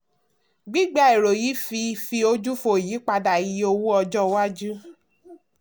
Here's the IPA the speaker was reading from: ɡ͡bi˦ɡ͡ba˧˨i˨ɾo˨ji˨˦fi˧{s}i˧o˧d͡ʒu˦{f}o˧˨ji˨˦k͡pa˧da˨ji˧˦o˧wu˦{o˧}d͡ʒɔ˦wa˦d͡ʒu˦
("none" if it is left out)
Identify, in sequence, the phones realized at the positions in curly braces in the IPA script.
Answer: f, f, ɔ˧

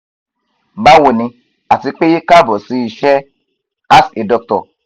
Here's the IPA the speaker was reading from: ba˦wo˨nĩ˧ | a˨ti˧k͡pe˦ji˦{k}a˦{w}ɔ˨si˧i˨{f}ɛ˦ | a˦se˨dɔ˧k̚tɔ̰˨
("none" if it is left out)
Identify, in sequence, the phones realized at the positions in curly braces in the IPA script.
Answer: k, b, ʃ

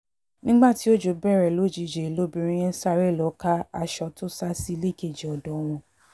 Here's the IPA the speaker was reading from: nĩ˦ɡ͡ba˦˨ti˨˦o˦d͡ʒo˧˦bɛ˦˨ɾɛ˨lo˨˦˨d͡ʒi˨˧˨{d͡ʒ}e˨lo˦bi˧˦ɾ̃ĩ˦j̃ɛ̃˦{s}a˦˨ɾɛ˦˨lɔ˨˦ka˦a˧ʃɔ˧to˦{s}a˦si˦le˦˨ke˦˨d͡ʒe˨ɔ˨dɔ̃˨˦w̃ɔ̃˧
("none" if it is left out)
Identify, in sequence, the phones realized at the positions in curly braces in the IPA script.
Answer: d͡ʒ, s, s

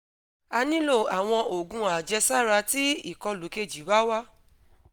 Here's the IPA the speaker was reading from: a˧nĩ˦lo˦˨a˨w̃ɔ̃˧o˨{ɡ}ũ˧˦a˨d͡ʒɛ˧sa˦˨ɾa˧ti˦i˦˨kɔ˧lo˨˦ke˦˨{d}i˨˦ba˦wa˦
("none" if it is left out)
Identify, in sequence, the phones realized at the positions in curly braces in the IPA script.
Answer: ɡ, d͡ʒ

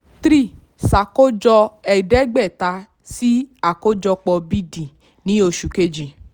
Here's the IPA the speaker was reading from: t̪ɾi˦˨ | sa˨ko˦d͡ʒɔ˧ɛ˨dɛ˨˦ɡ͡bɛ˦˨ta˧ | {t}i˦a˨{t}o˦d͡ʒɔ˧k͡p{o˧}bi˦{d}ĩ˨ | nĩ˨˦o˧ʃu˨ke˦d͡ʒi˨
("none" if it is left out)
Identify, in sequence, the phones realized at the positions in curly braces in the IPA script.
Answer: s, k, ɔ˧, d

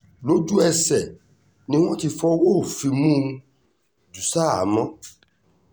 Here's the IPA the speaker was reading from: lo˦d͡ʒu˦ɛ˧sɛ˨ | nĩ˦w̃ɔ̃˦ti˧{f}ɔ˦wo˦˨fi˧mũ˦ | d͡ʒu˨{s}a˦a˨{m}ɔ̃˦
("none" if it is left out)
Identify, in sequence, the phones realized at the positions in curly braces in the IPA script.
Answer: f, s, m

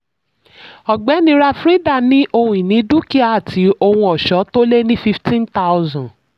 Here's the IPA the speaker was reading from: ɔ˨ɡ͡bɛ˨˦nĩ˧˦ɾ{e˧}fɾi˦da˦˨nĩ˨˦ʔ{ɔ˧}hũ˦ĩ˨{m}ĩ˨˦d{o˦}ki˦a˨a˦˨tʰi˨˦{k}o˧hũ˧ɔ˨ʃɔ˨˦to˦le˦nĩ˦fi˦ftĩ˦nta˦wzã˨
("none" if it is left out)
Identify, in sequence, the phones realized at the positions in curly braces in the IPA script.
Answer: a˧, o˧, n, u˦, none

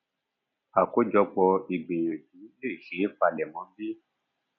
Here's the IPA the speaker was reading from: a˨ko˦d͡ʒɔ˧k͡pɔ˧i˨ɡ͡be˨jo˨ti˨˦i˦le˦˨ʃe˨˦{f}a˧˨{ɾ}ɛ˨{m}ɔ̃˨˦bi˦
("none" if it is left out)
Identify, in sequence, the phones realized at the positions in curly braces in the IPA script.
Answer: f, l, m

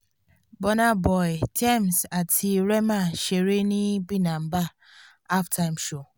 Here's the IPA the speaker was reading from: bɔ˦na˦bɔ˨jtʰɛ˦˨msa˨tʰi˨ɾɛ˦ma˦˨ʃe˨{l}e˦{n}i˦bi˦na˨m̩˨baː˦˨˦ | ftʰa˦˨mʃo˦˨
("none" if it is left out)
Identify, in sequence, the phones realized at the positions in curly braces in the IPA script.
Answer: ɾ, n

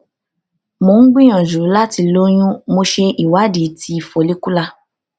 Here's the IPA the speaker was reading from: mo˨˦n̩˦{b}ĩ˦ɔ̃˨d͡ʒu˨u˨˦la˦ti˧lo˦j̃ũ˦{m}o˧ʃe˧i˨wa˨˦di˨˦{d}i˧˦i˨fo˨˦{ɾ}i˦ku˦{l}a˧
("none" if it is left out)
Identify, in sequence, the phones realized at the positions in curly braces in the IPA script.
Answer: ɡ͡b, m, t, l, l

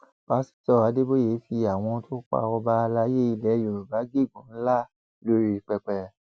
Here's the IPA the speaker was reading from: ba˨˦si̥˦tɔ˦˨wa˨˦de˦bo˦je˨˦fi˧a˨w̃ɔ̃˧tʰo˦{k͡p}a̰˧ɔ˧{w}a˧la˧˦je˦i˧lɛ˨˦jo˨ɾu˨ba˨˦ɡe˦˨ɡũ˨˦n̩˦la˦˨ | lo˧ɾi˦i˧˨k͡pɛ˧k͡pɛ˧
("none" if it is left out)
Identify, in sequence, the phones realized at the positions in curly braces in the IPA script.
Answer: k͡p, b

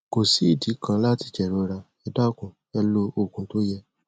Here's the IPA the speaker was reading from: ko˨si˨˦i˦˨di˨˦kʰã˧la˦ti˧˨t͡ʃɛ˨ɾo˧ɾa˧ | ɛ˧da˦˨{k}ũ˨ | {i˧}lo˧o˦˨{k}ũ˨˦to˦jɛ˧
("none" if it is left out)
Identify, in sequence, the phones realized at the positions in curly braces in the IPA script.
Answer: k, ɛ˧, k

